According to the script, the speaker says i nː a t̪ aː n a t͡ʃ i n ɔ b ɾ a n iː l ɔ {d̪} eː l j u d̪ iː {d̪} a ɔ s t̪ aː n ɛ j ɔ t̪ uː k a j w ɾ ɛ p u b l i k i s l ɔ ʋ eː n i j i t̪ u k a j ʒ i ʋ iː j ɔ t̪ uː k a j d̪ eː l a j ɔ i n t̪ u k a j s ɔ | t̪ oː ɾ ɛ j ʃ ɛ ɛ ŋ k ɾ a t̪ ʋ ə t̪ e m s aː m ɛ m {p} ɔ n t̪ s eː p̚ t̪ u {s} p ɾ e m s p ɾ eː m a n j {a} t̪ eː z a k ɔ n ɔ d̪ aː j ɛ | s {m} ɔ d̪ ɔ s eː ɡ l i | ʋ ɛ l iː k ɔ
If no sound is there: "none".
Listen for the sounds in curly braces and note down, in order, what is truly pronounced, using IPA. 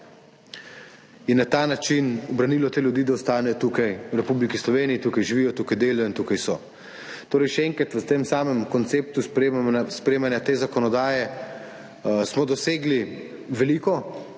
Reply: t̪, d̪, k, s, a, m

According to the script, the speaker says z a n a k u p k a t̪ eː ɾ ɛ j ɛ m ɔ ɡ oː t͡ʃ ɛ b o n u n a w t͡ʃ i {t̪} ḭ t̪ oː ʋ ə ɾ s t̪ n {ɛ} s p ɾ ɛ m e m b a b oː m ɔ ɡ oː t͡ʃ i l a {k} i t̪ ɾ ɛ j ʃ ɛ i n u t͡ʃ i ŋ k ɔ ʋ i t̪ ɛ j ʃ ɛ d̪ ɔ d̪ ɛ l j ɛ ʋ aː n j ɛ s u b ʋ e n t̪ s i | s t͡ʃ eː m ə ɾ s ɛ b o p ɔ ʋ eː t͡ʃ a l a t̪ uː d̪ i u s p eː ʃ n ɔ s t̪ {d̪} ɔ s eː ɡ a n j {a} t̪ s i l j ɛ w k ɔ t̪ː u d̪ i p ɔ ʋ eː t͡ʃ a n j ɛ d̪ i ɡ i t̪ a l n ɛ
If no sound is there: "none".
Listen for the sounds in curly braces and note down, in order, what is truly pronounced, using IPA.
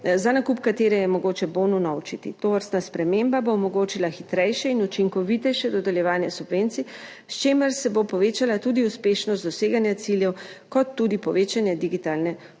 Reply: t̪, a, x, d̪, a

